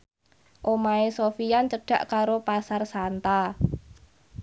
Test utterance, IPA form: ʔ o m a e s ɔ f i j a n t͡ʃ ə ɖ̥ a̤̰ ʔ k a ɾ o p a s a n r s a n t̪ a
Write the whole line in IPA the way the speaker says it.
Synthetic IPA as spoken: ʔ o m a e s o f i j a n t͡ʃ ə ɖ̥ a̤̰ ʔ k a ɾ o p a s a r s a n t̪ a